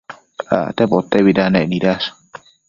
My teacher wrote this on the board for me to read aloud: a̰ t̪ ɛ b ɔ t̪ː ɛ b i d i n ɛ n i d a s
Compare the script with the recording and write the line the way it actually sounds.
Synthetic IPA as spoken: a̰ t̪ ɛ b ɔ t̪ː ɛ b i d a n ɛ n i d a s